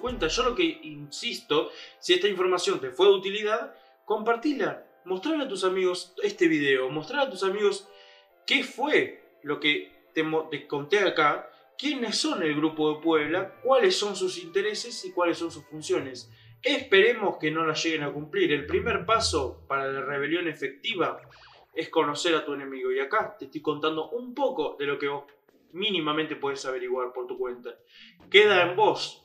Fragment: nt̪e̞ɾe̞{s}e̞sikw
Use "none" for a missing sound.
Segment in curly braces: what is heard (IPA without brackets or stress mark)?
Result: s